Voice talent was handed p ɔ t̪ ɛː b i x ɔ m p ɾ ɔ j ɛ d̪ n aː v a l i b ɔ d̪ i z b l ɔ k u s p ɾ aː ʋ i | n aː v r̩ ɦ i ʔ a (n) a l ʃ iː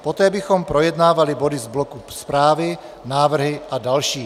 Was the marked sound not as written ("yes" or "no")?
yes